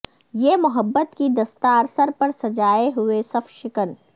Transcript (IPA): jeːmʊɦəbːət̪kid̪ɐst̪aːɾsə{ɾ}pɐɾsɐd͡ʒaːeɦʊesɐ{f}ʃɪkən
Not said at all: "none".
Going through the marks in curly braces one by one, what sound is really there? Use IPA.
ɾ, f

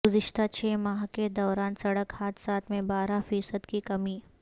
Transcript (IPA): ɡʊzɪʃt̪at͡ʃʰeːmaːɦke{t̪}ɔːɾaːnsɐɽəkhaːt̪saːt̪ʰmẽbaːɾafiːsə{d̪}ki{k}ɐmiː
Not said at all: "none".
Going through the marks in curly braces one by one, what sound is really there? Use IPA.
d̪, d̪, k

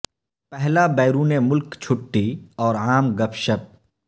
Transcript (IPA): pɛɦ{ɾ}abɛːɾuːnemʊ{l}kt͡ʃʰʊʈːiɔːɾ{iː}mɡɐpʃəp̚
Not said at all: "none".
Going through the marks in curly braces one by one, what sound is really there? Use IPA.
l, l, aː

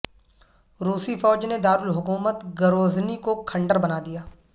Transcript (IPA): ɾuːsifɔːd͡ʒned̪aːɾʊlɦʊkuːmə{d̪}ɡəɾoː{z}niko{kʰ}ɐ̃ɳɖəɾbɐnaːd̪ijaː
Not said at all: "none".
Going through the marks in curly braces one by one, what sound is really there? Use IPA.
t̪, z, kʰ

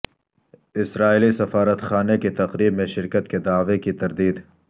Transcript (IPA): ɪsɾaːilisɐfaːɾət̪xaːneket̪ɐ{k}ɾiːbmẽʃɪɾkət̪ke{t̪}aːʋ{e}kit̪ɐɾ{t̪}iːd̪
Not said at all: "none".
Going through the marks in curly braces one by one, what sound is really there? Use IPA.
q, d̪, e, d̪

